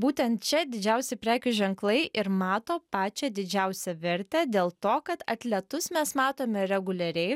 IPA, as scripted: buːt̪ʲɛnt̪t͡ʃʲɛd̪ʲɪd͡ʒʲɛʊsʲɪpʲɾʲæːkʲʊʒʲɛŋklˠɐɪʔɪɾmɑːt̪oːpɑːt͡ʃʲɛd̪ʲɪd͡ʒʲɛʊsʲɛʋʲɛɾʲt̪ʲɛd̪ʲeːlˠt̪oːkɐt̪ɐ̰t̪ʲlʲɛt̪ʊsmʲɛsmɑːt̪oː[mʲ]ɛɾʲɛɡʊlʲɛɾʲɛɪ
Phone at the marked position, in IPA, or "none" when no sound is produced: mʲ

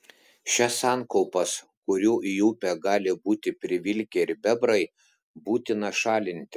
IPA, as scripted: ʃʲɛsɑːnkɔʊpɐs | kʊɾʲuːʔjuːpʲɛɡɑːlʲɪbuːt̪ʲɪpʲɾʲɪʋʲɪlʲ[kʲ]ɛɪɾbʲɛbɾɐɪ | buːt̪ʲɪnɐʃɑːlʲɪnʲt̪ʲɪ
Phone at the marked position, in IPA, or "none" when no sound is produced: kʲ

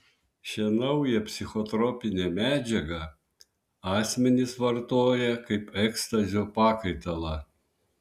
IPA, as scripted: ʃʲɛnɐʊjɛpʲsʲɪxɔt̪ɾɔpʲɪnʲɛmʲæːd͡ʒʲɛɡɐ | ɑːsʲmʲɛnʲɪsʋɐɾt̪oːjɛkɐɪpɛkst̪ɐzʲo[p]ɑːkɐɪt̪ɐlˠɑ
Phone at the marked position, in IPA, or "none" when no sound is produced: p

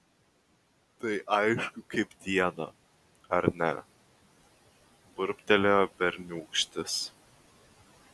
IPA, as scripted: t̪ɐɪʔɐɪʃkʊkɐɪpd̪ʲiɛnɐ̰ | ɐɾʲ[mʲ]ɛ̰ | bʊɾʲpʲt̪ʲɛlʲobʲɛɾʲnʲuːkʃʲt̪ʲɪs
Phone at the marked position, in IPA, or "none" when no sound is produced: nʲ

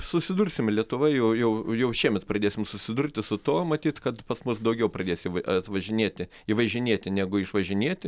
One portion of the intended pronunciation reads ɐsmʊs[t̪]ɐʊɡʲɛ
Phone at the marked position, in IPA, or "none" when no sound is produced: d̪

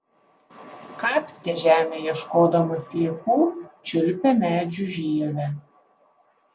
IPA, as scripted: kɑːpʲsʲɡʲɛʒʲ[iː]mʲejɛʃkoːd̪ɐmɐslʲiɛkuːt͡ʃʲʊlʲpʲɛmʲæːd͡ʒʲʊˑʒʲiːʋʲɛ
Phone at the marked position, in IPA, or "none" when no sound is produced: æː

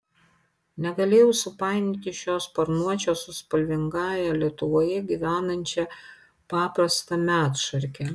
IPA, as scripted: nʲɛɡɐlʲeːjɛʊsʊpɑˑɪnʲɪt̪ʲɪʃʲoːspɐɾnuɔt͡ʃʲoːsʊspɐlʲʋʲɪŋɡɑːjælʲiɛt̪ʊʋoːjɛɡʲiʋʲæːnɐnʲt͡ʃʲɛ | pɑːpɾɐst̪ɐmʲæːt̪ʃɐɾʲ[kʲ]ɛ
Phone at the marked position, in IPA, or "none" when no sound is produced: kʲ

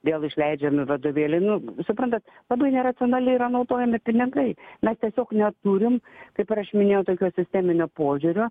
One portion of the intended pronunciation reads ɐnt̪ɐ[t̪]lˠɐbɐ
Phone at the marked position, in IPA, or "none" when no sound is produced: t̪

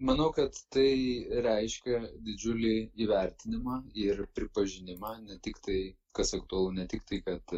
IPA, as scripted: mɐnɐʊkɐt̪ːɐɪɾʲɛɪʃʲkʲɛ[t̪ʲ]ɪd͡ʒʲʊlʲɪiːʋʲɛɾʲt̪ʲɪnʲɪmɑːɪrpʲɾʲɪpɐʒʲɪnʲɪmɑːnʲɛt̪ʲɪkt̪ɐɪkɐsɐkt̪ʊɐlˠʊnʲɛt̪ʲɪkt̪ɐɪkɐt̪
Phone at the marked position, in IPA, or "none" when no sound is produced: d̪ʲ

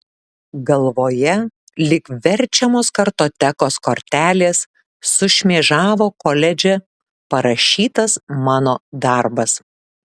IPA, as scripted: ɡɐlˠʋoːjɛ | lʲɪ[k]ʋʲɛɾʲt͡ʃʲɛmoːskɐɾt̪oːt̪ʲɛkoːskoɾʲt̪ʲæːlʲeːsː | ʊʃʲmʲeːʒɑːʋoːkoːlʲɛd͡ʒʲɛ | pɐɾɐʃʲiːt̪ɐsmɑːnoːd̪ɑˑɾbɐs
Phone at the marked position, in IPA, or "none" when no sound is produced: k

